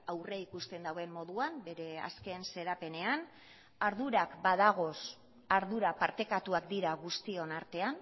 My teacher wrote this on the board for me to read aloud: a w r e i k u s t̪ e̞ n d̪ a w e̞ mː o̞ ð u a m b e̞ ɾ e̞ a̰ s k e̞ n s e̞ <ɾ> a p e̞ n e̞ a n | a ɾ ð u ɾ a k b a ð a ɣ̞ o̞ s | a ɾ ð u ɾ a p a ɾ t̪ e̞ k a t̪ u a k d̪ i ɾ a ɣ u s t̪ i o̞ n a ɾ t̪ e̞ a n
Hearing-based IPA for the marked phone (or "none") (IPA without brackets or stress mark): ɾ